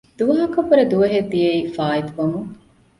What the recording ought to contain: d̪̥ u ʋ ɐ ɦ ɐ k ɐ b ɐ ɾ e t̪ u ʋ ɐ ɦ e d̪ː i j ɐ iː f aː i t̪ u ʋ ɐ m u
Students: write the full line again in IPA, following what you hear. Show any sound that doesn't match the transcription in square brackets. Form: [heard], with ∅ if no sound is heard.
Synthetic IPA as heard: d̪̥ u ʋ ɐ ɦ ɐ k ɐ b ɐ ɾ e [d̪] u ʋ ɐ ɦ e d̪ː i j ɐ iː f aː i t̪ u ʋ ɐ m u